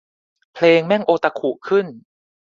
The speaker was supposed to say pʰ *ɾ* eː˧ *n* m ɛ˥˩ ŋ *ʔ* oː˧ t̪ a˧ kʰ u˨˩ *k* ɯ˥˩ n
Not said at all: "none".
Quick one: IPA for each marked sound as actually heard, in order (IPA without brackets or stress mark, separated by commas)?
l, ŋ, ʔ, kʰ